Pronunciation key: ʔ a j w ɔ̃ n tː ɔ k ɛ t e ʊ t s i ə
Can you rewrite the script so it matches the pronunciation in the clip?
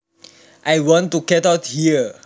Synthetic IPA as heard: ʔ a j w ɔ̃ n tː u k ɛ t a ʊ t h i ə

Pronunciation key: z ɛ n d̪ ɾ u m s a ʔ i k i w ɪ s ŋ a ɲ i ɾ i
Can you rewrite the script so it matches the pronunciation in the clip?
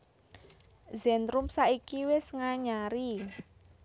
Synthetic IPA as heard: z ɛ n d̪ ɾ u m s a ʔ i k i w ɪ s ŋ a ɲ a ɾ i

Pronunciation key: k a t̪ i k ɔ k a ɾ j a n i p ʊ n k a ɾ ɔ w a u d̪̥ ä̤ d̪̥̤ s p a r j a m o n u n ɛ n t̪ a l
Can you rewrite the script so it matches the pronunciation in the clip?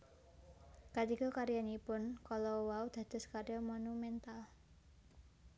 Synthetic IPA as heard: k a t̪ i k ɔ k a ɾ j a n i p ʊ n k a l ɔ w a u d̪̥ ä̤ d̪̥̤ s k a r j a m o n u m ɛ n t̪ a l

